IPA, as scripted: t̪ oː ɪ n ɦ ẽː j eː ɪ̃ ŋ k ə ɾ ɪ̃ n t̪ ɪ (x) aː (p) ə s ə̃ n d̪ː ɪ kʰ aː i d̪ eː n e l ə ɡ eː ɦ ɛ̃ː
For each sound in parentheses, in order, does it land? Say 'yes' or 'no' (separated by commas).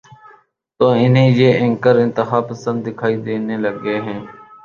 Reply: yes, yes